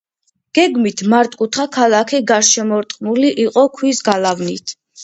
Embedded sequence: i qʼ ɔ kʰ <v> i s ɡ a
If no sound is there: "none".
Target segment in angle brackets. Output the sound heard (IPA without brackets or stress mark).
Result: w